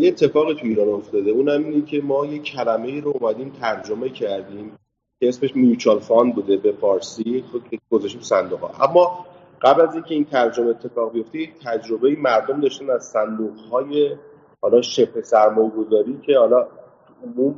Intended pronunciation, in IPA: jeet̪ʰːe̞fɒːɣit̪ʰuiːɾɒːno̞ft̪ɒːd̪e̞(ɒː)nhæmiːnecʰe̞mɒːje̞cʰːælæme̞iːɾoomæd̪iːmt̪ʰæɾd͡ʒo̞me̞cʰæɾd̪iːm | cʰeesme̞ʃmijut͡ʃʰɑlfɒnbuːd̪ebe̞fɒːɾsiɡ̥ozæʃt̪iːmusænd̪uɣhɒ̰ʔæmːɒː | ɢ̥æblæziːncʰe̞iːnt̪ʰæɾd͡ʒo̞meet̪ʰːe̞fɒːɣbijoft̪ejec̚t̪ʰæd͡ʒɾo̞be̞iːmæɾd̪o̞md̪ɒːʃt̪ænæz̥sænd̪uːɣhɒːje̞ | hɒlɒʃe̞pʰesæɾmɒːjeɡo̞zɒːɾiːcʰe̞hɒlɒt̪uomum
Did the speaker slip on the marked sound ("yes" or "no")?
yes